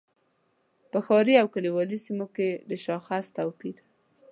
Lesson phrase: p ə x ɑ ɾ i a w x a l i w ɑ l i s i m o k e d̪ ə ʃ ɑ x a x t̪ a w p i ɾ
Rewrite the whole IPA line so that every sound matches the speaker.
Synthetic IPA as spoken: p ə x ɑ ɾ i a w k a l i w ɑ l i s i m o k e d̪ ə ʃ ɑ x a s t̪ a w p i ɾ